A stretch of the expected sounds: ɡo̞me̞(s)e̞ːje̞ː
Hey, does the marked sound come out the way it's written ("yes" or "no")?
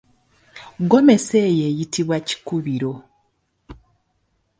yes